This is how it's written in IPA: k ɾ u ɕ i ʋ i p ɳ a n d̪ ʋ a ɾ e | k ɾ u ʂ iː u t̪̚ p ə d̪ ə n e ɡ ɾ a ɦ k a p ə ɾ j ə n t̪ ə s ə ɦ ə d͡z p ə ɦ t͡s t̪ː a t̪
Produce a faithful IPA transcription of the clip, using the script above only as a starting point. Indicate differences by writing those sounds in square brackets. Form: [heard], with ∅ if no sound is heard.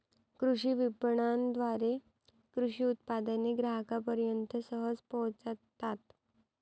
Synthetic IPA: k ɾ u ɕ i ʋ i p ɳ a n d̪ ʋ a ɾ e | k ɾ u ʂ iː u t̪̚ p [a] d̪ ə n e ɡ ɾ a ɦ k a p ə ɾ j ə n t̪ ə s ə ɦ ə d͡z p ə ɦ t͡s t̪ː a t̪